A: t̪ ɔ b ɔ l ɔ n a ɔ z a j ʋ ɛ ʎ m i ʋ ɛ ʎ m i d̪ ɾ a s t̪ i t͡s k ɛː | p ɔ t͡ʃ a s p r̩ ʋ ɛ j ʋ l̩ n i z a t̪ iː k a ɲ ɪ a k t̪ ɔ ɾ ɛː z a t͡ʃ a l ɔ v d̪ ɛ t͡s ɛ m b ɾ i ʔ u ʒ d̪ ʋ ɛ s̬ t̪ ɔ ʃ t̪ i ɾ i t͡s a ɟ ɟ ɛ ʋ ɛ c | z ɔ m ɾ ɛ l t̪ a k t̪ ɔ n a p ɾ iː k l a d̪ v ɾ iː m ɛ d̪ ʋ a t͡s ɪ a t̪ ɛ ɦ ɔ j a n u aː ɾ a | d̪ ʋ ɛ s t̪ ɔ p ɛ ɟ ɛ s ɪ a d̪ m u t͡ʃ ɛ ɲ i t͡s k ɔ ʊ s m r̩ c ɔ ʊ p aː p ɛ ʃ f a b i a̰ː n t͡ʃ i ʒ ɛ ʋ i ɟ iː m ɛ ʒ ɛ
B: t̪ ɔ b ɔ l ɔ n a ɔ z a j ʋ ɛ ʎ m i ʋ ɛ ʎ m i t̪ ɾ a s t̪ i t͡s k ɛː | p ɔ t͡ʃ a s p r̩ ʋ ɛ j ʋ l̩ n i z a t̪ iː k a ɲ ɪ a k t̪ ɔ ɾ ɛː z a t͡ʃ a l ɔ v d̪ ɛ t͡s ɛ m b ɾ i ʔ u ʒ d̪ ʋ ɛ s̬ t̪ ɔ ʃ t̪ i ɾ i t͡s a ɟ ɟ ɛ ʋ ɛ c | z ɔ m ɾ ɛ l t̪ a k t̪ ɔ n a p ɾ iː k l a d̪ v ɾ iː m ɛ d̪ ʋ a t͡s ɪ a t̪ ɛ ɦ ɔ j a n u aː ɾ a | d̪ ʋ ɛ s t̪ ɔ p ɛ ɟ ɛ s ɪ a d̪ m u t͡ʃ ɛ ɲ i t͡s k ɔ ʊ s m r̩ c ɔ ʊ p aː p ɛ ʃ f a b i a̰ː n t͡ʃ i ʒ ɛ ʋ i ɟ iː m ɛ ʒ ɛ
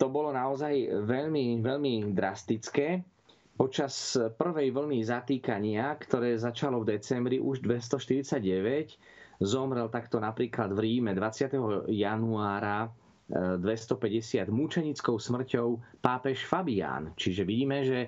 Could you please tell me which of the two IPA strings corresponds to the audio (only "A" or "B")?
A